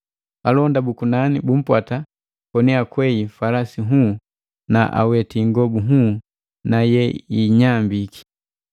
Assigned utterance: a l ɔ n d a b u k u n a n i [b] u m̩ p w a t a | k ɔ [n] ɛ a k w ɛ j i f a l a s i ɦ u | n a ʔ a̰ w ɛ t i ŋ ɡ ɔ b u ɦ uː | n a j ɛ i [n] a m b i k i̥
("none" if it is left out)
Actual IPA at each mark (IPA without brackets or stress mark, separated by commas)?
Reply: b, n, ɲ